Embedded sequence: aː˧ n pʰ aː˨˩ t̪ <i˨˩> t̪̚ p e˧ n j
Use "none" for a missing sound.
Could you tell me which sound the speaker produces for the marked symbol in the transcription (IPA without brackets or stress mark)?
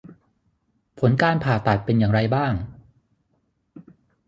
a˨˩